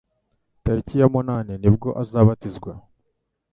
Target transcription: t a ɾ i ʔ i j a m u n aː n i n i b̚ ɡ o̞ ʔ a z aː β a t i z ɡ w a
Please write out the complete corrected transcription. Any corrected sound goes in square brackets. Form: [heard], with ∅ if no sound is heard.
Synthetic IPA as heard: t a ɾ i [c] i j a m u n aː n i n i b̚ ɡ o̞ ʔ a z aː β a t i z ɡ w a

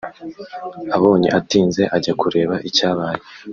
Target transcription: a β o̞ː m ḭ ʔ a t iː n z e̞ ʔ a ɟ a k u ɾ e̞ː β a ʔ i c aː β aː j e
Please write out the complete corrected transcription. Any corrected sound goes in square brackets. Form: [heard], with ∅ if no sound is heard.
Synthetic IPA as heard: a β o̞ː [ɲ] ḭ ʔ a t iː n z e̞ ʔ a ɟ a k u ɾ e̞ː β a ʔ i c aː β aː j e

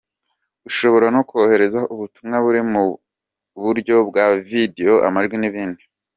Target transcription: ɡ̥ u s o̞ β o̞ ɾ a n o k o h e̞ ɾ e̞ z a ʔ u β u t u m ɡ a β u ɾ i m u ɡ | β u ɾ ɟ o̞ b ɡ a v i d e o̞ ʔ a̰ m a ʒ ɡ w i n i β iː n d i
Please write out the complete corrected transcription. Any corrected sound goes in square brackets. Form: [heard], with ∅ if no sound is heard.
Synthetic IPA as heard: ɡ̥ u [ʃ] o̞ β o̞ ɾ a n o k o h e̞ ɾ e̞ z a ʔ u β u t u m [ŋ] a β u ɾ i m u [∅] | β u ɾ ɟ o̞ b ɡ a v i d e o̞ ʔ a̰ m a ʒ ɡ w i n i β iː n d i

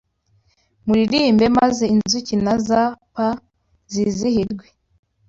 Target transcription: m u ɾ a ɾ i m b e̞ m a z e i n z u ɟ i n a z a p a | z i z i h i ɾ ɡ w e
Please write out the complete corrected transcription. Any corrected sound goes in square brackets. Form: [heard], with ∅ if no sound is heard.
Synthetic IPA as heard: m u ɾ [i] ɾ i m b e̞ m a z e i n z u [c] i n a z a p a | z i z i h i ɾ ɡ w e

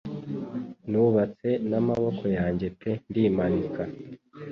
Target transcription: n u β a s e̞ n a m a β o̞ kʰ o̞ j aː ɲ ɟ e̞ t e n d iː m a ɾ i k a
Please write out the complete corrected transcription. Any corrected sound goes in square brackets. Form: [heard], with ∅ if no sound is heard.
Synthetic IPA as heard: n u β a [t͡s] e̞ n a m a β o̞ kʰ o̞ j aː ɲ ɟ e̞ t e n d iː m a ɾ i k a

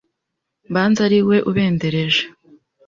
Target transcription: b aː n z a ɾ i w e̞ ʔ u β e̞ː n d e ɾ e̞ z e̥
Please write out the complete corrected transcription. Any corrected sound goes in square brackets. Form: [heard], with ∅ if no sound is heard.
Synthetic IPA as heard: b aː n z a ɾ i w e̞ ʔ u β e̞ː n d e ɾ e̞ [ʒ] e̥

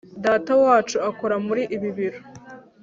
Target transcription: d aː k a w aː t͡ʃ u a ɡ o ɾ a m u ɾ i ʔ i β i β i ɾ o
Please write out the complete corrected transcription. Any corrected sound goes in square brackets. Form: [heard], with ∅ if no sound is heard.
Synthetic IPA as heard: d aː [t] a w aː t͡ʃ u a [k] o ɾ a m u ɾ i ʔ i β i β i ɾ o

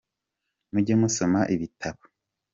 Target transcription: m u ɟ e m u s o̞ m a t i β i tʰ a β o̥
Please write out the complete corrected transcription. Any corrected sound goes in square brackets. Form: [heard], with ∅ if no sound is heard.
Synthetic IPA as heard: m u ɟ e m u s o̞ m a [ʔ] i β i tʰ a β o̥

